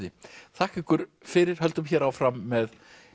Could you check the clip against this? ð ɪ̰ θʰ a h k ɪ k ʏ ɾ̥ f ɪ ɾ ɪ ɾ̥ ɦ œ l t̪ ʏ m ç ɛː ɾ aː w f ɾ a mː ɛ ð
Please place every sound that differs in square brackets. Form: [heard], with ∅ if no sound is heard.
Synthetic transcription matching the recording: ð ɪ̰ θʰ a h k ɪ k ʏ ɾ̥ f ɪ ɾ ɪ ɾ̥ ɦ œ l t̪ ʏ m ç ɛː ɾ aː w f ɾ a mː ɛ ð